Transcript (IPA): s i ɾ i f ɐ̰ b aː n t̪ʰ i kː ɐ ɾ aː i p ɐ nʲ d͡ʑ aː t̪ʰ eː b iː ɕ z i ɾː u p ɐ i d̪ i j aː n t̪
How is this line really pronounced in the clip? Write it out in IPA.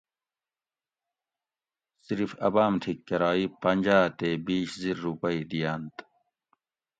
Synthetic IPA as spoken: s i ɾ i f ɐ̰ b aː m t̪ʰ i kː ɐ ɾ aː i p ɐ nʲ d͡ʑ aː t̪ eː b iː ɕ z i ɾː u p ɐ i d̪ i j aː n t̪